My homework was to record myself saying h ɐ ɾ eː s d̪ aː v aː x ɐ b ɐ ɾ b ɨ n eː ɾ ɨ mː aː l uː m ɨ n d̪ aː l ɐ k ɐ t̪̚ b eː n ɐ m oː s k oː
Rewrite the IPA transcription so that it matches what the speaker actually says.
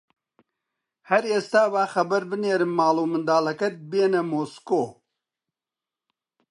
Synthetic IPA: h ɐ ɾ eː s t̪ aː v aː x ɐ b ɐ ɾ b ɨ n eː ɾ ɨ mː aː l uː m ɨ n d̪ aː l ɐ k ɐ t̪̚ b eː n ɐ m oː s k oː

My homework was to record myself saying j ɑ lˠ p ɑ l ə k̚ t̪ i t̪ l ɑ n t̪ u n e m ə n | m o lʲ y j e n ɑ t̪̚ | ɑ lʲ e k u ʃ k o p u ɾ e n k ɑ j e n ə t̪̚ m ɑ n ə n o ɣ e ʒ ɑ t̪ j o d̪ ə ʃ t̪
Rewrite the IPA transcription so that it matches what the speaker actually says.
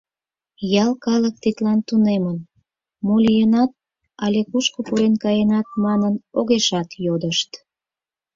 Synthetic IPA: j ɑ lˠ k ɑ l ə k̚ t̪ i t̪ l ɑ n t̪ u n e m ə n | m o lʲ i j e n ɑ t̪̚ | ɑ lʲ e k u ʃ k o p u ɾ e n k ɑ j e n ɑ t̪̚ m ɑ n ə n o ɣ e ʃ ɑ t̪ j o d̪ ə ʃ t̪

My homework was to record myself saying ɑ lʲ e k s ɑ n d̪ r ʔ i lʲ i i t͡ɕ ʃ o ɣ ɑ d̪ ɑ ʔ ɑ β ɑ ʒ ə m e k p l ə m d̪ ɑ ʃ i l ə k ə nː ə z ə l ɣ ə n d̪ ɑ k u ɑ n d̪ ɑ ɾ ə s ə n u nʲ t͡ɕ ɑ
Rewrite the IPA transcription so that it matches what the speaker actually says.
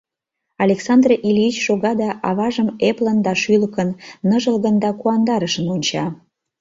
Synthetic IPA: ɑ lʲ e k s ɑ n d̪ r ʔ i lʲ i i t͡ɕ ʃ o ɣ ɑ d̪ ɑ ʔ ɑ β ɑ ʒ ə m e p l ə n d̪ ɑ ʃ y l ə k ə nː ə ʒ ə l ɣ ə n d̪ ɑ k u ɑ n d̪ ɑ ɾ ə ʃ ə n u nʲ t͡ɕ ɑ

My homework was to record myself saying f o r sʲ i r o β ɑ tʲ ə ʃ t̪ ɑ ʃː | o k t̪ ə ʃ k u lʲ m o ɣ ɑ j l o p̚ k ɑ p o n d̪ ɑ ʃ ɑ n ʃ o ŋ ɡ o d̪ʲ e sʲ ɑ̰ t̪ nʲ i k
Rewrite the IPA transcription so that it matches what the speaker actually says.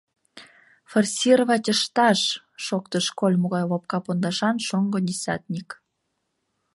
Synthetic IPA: f o r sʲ i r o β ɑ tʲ ə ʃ t̪ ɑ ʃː | o k t̪ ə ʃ k o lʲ m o ɣ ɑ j l o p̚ k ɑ p o n d̪ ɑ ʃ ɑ n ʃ o ŋ ɡ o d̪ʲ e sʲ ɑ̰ t̪ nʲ i k

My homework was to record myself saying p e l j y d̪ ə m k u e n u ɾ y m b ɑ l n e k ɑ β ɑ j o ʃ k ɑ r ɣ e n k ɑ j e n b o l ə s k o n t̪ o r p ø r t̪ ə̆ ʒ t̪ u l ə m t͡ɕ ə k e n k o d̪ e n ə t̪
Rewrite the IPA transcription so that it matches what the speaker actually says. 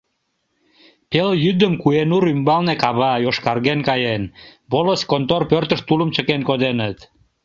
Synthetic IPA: p e l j y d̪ ə m k u e n u ɾ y m b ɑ l n e k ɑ β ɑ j o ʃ k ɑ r ɣ e n k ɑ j e n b o l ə s k o n t̪ o r p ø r t̪ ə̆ ʃ t̪ u l ə m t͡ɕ ə k e n k o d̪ e n ə t̪

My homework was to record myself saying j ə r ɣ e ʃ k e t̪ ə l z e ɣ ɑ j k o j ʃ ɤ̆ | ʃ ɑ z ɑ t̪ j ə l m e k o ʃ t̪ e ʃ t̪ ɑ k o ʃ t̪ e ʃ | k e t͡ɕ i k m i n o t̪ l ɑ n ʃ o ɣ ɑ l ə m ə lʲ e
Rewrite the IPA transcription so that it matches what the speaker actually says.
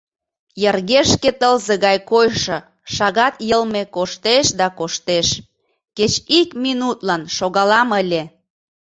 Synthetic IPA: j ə r ɣ e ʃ k e t̪ ə l z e ɣ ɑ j k o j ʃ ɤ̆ | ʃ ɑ ɣ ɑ t̪ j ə l m e k o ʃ t̪ e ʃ d̪ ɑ k o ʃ t̪ e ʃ | k e t͡ɕ i k m i n u t̪ l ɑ n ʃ o ɣ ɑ l ɑ m ə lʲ e

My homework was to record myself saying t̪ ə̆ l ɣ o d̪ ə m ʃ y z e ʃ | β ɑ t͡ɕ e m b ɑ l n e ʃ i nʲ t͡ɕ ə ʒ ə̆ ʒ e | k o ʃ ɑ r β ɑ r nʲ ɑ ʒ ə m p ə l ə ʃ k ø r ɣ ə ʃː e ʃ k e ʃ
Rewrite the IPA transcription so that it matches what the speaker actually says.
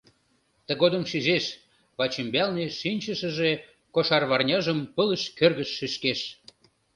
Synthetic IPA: t̪ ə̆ ɣ o d̪ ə m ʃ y z e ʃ | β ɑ t͡ɕ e m b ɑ l n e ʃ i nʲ t͡ɕ ə ʃ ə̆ ʒ e | k o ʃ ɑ r β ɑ r nʲ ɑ ʒ ə m p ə l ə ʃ k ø r ɣ ə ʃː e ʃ k e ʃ

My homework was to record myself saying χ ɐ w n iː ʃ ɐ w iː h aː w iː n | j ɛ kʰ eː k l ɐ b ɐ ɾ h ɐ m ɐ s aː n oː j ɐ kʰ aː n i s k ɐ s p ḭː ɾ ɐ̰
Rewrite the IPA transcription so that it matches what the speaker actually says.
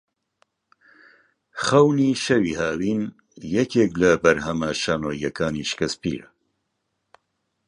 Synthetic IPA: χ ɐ w n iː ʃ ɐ w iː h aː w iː n | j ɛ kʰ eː k l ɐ b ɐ ɾ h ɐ m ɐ ʃ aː n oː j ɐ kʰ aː n i ʃ k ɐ s p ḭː ɾ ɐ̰

